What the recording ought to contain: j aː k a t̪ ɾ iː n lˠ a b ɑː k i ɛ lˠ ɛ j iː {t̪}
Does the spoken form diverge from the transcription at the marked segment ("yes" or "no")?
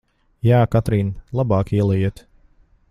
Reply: no